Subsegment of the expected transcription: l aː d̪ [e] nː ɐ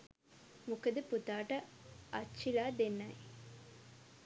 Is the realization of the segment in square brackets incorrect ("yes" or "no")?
no